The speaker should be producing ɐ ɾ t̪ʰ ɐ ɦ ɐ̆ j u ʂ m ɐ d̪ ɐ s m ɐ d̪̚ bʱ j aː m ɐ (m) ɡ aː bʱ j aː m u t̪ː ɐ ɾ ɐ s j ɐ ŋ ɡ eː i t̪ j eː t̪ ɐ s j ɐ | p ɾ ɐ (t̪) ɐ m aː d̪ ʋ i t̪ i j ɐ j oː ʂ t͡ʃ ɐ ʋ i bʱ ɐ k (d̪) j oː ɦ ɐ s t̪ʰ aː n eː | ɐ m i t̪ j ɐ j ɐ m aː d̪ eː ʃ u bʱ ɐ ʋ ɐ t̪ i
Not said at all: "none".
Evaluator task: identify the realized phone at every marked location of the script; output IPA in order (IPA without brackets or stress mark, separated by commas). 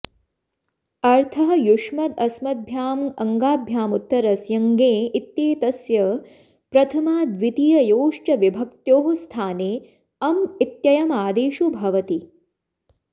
ŋ, t̪ʰ, t̪